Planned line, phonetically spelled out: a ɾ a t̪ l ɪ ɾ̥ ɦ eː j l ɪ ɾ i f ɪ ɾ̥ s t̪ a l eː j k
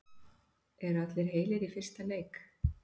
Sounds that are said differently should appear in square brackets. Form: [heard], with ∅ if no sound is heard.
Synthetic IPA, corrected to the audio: [ɛ] ɾ a t̪ l ɪ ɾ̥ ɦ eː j l ɪ ɾ i f ɪ [r̥] s t̪ a l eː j k

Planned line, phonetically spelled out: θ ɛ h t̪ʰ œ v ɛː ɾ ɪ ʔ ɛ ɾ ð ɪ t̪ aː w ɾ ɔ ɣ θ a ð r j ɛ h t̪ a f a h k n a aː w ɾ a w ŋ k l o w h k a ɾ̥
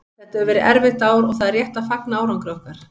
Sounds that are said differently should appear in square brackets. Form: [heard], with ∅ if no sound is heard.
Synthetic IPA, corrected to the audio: θ ɛ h [t̪] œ v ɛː ɾ ɪ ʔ ɛ ɾ [v] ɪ t̪ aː w ɾ ɔ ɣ θ a ð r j ɛ h t̪ a f a [∅] k n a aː w ɾ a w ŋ k [ɾ] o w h k a ɾ̥

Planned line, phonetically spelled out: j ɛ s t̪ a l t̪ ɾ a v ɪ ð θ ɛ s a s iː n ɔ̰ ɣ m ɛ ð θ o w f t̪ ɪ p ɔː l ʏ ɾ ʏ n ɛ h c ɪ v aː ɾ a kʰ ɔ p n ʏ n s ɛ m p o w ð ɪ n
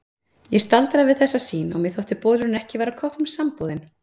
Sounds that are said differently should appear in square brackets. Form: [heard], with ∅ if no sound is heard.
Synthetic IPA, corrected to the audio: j ɛ s t̪ a l t̪ ɾ a v ɪ ð θ ɛ [sː] a s iː n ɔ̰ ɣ m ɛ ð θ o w [h] t̪ ɪ p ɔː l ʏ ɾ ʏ n ɛ h c ɪ v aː ɾ a kʰ ɔ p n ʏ [m] s [a] m p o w ð ɪ n

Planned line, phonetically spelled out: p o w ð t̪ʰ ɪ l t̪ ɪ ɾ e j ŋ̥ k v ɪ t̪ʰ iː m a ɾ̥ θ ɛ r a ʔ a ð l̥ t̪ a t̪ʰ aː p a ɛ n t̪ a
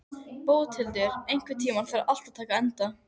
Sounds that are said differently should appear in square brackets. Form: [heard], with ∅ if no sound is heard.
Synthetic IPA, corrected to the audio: p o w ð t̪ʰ ɪ l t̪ ɪ ɾ e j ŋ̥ k v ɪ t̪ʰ iː m a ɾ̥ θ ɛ [ɾ] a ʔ a [∅] l̥ t̪ a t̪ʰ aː [k] a ɛ n t̪ a

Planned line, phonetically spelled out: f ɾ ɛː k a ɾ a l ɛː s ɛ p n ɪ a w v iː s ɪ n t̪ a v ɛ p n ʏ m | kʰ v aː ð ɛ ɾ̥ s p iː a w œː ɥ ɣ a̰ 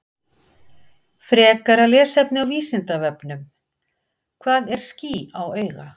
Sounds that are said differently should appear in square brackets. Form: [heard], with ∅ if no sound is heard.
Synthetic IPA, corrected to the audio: f ɾ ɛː k a ɾ a l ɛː s ɛ p n ɪ a w v iː s ɪ n t̪ a v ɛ p n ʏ m | kʰ v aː ð ɛ ɾ̥ s [c] iː a w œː ɥ ɣ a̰

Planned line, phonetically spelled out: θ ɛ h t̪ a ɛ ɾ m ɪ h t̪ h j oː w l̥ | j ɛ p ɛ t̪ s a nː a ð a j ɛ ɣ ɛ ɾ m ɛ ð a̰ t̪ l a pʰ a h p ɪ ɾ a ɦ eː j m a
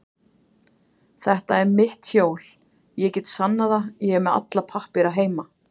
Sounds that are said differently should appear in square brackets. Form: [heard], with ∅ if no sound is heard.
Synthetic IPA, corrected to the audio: θ ɛ h t̪ a ɛ ɾ m ɪ h t̪ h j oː w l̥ | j ɛ [c] ɛ t̪ s a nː a ð a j ɛ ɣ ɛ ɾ m ɛ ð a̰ t̪ l a pʰ a h p ɪ ɾ a ɦ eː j m a

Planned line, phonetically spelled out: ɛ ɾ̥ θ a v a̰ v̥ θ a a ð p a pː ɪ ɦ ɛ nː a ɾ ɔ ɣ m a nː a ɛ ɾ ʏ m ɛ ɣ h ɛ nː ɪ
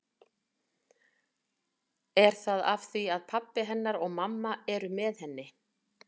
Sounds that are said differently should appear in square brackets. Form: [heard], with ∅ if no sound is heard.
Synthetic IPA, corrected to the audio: ɛ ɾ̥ θ a [ð] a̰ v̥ θ [i] a ð [pʰ] a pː ɪ ɦ ɛ nː a ɾ ɔ ɣ m a [mː] a ɛ ɾ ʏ m ɛ [ð] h ɛ nː ɪ

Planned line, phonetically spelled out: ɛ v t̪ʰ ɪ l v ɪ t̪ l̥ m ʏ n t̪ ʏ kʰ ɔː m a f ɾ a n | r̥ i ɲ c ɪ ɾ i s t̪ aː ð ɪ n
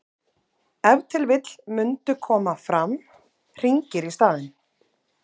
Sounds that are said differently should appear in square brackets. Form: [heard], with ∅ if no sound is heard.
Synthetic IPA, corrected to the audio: ɛ v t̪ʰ ɪ l v ɪ t̪ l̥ m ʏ n t̪ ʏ kʰ ɔː m a f ɾ a [m] | r̥ i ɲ c ɪ ɾ i s t̪ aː ð ɪ n

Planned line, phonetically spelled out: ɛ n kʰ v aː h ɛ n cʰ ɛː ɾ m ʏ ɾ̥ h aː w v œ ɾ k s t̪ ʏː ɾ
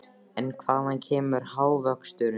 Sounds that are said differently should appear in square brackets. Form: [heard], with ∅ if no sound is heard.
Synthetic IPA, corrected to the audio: ɛ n kʰ v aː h [a] n cʰ ɛː [∅] m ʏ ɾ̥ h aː w v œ [∅] k s t̪ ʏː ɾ

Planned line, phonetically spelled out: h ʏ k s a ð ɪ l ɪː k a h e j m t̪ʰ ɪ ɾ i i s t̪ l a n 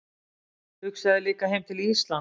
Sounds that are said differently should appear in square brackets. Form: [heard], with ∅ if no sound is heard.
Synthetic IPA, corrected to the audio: h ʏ k s a ð ɪ l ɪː k a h e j m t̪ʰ ɪ [l] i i s t̪ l a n

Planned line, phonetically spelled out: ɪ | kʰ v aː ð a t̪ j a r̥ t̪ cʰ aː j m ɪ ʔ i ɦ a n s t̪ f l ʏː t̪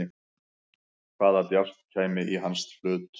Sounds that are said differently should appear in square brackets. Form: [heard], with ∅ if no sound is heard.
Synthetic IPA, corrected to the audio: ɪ | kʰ v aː ð a t̪ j a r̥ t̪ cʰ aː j m ɪ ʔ i ɦ a n s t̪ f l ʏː t̪

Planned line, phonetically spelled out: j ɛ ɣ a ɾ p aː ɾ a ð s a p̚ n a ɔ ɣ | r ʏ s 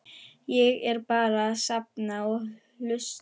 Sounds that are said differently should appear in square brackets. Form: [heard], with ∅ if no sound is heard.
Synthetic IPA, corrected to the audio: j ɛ ɣ [ɛ] ɾ p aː ɾ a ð s a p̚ n a ɔ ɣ | [l] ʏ s

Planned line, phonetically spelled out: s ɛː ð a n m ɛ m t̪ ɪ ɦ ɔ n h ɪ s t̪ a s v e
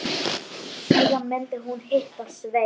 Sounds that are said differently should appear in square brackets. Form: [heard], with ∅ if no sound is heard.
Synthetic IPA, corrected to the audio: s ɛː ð a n m ɛ [n] t̪ ɪ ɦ [u] n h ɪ [h] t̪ a s v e

